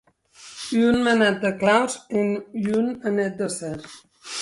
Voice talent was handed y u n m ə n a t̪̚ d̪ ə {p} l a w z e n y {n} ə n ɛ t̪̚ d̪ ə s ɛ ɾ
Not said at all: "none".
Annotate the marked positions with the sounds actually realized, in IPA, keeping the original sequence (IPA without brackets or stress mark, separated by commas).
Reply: k, n